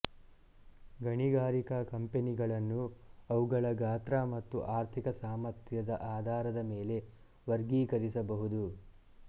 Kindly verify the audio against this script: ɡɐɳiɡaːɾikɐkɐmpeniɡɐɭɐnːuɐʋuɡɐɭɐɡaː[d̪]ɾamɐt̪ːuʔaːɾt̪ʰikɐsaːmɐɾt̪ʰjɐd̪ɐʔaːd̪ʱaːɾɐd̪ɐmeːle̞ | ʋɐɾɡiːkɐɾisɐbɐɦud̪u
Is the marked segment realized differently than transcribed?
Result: yes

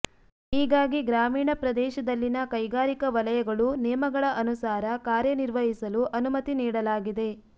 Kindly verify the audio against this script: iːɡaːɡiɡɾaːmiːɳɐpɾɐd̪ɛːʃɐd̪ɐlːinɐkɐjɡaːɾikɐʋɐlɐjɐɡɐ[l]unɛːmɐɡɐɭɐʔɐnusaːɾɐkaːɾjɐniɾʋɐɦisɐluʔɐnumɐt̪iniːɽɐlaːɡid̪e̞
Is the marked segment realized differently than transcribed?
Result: yes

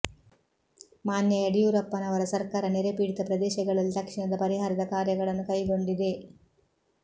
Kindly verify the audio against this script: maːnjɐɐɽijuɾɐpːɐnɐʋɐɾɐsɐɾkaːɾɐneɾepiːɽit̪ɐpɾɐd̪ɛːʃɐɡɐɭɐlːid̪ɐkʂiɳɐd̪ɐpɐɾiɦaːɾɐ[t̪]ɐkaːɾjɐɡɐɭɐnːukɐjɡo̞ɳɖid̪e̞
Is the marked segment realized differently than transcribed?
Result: yes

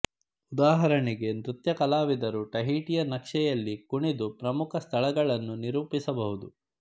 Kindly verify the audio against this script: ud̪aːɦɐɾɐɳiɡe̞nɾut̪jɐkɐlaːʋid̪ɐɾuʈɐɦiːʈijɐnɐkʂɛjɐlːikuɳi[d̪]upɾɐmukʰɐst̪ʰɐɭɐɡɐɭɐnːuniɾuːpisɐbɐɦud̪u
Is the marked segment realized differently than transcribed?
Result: no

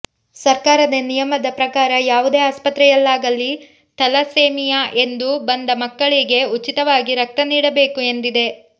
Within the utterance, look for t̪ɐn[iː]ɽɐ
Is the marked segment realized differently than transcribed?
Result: no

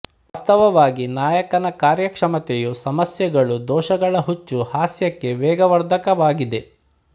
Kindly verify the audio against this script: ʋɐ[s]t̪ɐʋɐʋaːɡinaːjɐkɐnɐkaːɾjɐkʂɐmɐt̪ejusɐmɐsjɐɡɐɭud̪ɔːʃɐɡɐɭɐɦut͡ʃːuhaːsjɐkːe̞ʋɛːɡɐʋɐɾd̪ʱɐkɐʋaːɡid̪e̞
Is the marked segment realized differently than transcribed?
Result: no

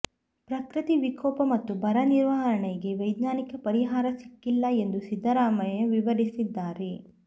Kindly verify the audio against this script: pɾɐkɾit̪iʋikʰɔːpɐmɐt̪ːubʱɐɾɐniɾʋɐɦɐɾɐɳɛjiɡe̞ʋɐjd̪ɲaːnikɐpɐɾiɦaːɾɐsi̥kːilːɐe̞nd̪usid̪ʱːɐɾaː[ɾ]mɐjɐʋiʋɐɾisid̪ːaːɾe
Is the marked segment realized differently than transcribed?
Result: yes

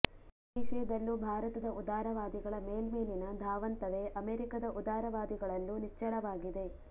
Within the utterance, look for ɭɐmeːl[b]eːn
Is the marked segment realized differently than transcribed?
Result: yes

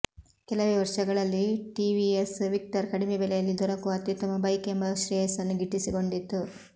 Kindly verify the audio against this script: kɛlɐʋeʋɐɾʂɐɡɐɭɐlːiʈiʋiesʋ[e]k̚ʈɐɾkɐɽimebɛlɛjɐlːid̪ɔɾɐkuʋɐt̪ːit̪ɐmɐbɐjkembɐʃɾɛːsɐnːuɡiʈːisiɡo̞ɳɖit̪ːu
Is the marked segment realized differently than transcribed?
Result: yes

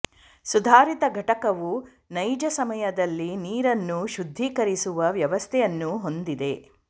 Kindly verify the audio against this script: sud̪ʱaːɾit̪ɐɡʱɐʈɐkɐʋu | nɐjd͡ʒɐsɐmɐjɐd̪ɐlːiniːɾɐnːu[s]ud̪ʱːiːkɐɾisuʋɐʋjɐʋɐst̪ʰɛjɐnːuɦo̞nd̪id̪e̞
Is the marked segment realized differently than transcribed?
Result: yes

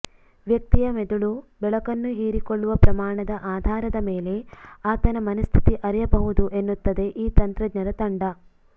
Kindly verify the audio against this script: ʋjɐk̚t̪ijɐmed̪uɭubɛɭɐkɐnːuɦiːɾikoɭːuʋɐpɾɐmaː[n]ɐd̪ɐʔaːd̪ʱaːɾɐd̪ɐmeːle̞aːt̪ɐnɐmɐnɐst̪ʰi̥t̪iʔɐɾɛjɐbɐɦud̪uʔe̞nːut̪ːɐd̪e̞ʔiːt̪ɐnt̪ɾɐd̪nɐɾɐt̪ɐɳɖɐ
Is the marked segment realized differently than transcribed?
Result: yes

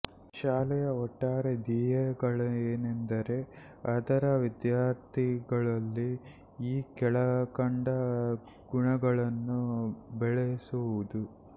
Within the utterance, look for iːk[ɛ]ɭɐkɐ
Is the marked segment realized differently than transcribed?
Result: no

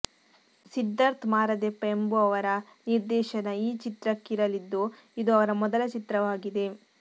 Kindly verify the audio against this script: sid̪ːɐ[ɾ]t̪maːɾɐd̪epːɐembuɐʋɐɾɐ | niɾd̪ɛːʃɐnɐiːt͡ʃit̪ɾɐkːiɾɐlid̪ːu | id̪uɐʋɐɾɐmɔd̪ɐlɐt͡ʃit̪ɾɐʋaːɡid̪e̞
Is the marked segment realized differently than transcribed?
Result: no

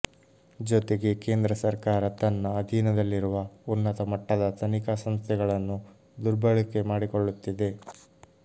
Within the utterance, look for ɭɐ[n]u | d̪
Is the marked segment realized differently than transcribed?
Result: yes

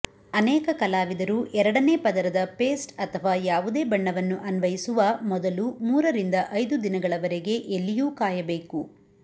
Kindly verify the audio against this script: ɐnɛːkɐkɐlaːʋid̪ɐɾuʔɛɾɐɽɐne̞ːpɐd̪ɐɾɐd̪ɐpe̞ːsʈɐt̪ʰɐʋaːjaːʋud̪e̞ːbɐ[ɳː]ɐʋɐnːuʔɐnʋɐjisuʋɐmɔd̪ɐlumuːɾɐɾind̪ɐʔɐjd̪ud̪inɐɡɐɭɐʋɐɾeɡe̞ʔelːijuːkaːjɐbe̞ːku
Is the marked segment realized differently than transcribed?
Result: no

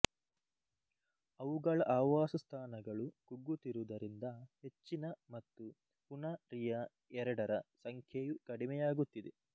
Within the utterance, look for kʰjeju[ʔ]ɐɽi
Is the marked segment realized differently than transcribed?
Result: yes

